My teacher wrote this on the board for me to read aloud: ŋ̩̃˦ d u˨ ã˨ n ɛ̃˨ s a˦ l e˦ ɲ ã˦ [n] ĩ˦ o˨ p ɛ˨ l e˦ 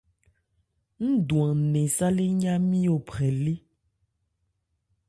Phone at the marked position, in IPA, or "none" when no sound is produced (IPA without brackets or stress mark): m